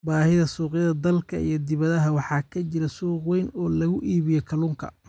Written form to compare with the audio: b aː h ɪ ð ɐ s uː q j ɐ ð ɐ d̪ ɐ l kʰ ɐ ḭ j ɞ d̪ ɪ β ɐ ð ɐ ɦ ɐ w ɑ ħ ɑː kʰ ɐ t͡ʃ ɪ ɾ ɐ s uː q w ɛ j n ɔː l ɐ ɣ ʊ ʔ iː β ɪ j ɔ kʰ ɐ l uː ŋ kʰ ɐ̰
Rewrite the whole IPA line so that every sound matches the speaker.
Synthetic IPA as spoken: b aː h ɪ ð ɐ s uː q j ɐ ð ɐ d̪ ɐ l kʰ ɐ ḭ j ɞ d̪ ɪ β ɐ ð ɐ ɦ ɐ w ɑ ħ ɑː kʰ ɐ t͡ʃ ɪ ɾ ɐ s uː q w ɛ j n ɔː l ɐ ɣ ʊ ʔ iː β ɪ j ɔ kʰ ɐ l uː ŋ kʰ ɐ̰